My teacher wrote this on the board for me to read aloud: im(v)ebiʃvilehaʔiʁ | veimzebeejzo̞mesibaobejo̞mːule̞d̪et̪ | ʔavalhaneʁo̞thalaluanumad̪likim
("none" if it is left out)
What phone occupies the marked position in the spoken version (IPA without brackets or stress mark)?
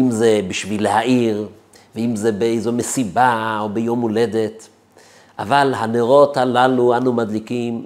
z